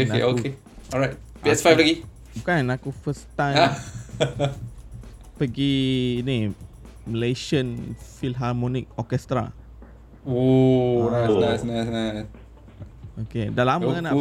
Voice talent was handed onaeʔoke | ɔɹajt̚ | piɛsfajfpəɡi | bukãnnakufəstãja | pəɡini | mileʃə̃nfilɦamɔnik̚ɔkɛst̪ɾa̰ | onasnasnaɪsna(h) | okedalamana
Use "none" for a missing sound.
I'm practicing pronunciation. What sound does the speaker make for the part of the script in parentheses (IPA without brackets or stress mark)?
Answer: s